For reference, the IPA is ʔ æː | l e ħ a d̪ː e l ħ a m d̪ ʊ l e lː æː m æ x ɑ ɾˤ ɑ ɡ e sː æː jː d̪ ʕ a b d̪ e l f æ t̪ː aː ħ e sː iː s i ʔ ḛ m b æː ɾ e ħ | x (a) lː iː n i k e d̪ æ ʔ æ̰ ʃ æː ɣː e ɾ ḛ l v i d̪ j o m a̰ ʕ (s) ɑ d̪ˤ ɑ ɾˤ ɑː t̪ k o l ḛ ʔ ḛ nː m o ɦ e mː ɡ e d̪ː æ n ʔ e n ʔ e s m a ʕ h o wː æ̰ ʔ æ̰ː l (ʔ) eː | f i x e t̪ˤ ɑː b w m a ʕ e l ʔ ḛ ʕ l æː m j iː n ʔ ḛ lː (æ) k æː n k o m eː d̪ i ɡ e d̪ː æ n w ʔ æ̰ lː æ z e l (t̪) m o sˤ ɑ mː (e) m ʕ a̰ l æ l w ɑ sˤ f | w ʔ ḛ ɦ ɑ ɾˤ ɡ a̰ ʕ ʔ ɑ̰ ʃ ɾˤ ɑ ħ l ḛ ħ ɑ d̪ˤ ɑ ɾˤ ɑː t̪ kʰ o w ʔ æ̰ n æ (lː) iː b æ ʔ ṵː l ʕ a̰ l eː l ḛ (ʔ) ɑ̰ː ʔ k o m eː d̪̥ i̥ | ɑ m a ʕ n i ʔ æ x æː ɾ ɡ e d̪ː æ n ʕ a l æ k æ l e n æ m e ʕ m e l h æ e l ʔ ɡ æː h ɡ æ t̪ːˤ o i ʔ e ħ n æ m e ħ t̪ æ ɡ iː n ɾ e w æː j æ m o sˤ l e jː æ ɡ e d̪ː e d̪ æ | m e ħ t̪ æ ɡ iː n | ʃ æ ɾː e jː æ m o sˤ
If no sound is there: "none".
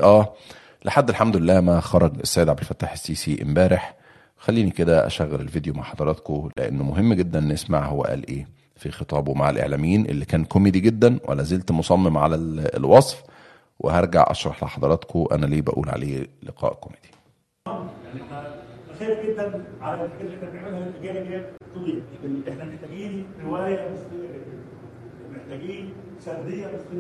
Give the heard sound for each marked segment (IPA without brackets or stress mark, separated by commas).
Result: æ, ħ, ʔ, i, t̪, e, l, q